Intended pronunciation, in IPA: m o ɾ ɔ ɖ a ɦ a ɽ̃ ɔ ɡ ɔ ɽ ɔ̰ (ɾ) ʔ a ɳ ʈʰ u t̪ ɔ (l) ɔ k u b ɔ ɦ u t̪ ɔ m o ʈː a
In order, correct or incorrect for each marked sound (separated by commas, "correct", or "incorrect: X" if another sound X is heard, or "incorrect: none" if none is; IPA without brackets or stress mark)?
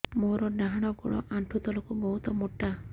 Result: incorrect: none, correct